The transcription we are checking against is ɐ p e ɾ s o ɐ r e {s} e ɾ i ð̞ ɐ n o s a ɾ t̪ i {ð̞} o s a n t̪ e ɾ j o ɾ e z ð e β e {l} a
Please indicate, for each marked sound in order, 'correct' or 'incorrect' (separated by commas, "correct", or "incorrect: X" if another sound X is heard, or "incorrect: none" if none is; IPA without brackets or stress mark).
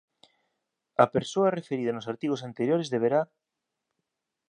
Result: incorrect: f, incorrect: ɣ̞, incorrect: ɾ